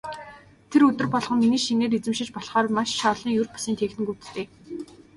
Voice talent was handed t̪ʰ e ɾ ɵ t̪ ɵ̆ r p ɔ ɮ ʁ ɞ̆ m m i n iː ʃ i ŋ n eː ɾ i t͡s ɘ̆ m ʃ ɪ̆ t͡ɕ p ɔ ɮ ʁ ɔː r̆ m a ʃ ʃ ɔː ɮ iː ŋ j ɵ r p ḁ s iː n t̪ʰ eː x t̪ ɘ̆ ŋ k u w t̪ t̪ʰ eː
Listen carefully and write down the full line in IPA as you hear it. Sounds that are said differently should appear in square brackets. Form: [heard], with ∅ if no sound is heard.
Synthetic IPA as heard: t̪ʰ e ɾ ɵ t̪ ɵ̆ r p ɔ ɮ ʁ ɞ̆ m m i n iː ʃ i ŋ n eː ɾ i t͡s ɘ̆ m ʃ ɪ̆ t͡ɕ p ɔ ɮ [χ] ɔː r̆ m a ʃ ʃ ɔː ɮ iː ŋ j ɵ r p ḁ s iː n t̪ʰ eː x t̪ ɘ̆ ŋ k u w t̪ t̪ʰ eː